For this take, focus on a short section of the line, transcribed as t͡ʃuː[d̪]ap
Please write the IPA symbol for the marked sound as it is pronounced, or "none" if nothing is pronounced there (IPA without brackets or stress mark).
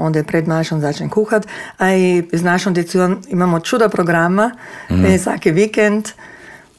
d̪